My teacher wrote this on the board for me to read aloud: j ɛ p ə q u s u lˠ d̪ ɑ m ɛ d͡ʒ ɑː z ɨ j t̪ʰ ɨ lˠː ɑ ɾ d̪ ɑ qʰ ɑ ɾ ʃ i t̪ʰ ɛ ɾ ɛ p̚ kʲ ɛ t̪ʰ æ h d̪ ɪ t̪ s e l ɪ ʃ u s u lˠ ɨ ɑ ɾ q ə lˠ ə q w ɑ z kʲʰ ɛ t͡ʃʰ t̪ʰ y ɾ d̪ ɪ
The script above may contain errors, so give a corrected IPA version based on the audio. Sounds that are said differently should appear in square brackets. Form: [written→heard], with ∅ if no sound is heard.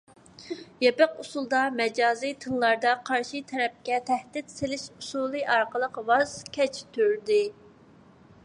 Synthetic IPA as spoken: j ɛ p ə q u s u lˠ d̪ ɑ m ɛ d͡ʒ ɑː z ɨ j t̪ʰ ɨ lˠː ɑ ɾ d̪ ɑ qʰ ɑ ɾ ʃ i t̪ʰ ɛ ɾ ɛ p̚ kʲ ɛ t̪ʰ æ h d̪ ɪ t̪ s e l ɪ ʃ u s u lˠ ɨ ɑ ɾ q ə lˠ ə q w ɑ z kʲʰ ɛ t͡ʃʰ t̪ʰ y ɾ d̪ ɪ